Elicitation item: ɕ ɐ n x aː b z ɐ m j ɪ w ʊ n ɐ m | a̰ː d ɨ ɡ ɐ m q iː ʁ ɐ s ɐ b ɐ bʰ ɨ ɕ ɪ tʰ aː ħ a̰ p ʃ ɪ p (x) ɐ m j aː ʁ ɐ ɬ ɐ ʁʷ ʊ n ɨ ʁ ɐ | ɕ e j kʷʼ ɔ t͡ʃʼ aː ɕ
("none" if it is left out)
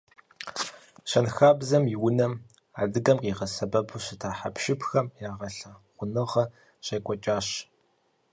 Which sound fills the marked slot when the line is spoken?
x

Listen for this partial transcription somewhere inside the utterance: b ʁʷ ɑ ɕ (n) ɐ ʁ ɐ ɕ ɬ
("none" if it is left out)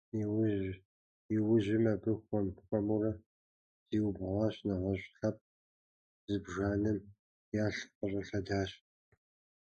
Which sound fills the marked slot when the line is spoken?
n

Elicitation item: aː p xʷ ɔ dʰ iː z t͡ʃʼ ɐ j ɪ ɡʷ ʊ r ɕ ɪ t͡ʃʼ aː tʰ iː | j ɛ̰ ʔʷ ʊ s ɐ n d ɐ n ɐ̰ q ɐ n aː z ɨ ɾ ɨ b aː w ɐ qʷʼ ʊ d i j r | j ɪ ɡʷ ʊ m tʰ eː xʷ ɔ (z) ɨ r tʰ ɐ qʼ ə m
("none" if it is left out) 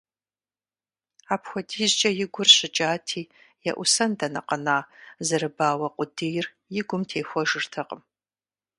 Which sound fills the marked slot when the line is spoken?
ʒ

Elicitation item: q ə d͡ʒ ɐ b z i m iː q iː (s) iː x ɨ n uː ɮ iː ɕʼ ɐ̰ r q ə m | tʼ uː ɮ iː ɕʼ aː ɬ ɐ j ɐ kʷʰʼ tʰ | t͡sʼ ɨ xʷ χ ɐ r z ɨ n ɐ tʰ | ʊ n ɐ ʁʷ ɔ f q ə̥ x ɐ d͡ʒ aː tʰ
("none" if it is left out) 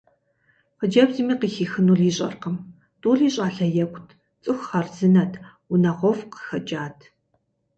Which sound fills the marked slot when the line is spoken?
x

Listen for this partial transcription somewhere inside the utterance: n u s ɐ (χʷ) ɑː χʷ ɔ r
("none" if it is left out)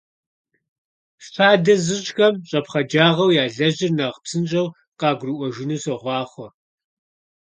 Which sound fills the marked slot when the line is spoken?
ʁʷ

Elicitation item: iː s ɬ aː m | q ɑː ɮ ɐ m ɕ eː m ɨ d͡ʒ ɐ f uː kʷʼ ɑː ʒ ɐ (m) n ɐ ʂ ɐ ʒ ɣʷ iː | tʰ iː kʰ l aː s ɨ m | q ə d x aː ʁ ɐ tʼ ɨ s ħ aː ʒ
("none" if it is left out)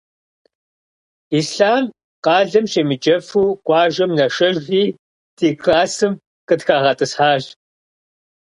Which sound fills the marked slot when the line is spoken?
m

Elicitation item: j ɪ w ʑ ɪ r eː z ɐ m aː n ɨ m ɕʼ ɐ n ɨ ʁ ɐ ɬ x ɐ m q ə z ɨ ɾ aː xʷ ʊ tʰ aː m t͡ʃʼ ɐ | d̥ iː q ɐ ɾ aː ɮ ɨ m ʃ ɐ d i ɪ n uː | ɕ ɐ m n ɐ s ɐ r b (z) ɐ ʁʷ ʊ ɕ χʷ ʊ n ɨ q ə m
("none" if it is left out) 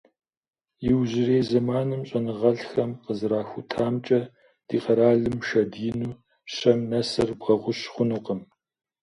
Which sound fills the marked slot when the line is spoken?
ʁ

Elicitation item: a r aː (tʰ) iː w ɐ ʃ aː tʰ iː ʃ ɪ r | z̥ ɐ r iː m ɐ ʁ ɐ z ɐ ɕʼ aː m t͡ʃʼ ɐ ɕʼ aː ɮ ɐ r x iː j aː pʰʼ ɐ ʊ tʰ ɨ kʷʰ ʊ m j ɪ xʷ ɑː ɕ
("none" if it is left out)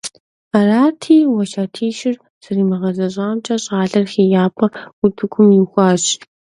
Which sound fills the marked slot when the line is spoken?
tʰ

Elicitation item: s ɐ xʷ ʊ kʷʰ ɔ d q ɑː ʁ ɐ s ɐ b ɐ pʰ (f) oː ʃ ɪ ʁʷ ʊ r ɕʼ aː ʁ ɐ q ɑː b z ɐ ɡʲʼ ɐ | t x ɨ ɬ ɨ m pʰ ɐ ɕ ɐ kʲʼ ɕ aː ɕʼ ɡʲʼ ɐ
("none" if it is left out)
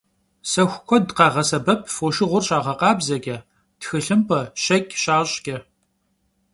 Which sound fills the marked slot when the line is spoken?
f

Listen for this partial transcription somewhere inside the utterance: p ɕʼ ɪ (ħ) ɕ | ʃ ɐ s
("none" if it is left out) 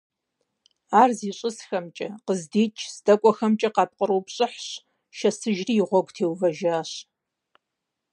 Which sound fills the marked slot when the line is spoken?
ħ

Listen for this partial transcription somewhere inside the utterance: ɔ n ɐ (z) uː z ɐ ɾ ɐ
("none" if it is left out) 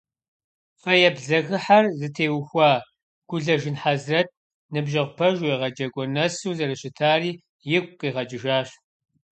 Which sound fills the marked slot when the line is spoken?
s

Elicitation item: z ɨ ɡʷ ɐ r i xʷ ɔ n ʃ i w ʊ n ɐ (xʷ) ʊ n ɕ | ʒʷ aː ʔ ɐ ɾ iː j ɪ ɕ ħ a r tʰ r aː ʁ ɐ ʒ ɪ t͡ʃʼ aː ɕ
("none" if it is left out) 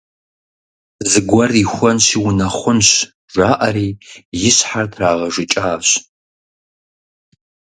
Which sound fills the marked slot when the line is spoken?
χʷ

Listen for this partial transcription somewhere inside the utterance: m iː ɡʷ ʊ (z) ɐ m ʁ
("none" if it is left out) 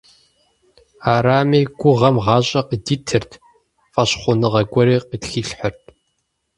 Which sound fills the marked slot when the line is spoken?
ʁ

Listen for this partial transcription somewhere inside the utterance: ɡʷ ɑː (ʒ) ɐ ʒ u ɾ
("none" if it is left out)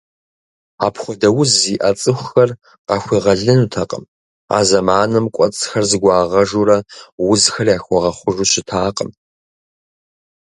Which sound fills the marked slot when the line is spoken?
ʁ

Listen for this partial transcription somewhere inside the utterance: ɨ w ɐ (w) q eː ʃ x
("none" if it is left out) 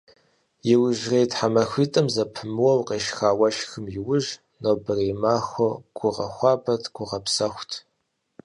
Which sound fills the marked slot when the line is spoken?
w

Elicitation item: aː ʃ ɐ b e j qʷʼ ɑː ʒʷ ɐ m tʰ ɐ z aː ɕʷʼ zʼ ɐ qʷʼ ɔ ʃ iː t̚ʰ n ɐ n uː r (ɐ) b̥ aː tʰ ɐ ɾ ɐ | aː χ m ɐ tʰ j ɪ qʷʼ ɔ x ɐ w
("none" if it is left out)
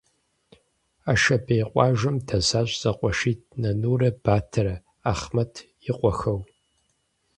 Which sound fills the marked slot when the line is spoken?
ɐ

